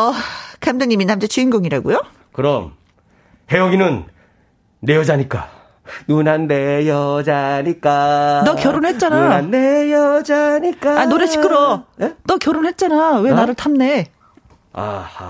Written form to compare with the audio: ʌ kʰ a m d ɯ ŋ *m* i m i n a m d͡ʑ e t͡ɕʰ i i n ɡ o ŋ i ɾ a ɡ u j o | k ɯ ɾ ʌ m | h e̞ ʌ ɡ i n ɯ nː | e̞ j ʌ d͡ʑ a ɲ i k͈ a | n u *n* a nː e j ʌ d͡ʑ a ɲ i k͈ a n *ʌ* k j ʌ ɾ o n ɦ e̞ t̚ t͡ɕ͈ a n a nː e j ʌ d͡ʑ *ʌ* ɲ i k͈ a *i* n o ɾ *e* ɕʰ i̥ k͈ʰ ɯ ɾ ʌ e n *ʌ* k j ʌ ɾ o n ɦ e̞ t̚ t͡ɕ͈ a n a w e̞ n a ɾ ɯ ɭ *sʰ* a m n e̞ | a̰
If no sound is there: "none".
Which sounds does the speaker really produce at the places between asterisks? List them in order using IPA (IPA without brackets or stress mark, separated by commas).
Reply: ɲ, n, ʌ, a, a, e, ʌ, tʰ